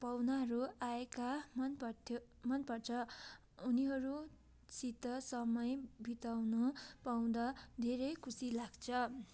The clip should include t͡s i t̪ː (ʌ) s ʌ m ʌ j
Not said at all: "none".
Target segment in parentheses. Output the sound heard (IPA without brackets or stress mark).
ʌ